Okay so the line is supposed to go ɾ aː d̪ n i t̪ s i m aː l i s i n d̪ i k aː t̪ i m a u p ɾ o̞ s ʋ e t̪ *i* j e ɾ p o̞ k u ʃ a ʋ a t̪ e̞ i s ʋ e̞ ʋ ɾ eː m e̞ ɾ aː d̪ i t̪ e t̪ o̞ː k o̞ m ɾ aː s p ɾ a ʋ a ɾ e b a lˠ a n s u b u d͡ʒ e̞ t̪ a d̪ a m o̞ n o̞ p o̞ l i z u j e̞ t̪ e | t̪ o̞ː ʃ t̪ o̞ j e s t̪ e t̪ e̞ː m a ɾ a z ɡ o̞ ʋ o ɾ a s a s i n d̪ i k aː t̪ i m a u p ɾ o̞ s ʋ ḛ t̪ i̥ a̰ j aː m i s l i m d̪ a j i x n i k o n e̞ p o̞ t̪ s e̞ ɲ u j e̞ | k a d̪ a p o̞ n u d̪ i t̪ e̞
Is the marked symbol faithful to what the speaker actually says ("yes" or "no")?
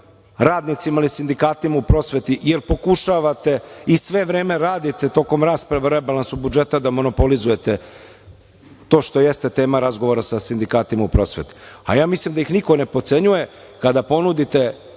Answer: yes